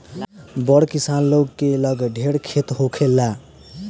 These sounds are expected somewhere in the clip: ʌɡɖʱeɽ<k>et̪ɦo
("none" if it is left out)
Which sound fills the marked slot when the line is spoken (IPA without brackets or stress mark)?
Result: kʰ